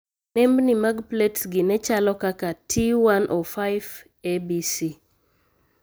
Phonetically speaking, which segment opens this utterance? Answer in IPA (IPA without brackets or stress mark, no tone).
n